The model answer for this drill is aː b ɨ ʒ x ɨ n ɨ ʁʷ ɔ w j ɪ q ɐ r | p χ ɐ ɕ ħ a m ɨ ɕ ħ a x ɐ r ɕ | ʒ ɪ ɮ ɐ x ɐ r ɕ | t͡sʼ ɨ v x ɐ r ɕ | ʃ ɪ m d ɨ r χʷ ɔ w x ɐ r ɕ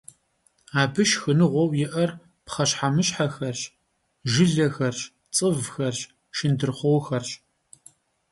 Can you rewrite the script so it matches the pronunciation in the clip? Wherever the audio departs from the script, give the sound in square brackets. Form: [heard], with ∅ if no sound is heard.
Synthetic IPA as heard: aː b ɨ [ʃ] x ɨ n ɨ ʁʷ ɔ w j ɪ [ʔ] ɐ r | p χ ɐ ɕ ħ a m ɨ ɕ ħ a x ɐ r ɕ | ʒ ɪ ɮ ɐ x ɐ r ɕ | t͡sʼ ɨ v x ɐ r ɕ | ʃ ɪ [n] d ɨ r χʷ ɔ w x ɐ r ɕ